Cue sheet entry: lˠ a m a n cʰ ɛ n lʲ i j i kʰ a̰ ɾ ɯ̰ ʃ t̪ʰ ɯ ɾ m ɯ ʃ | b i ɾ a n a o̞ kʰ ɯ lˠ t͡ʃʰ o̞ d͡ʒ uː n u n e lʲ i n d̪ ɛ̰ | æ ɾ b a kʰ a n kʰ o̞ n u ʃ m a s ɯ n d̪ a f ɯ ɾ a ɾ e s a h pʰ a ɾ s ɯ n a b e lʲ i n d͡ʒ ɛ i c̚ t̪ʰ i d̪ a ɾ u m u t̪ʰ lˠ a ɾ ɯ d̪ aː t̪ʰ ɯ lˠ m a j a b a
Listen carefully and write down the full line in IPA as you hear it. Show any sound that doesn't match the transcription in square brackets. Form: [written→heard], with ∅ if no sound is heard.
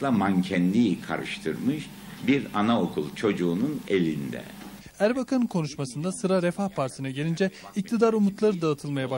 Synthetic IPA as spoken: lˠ a m a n cʰ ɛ n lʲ i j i kʰ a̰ ɾ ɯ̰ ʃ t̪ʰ ɯ ɾ m ɯ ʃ | b i ɾ a n a o̞ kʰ [ɯ→u] lˠ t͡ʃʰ o̞ d͡ʒ uː n u n e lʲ i n d̪ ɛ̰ | æ ɾ b a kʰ a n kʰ o̞ n u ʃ m a s ɯ n d̪ a [f→s] ɯ ɾ a ɾ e [s→f] a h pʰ a ɾ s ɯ n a [b→ɟ] e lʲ i n d͡ʒ ɛ i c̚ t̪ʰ i d̪ a ɾ u m u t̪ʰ lˠ a ɾ ɯ d̪ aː t̪ʰ ɯ lˠ m a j a b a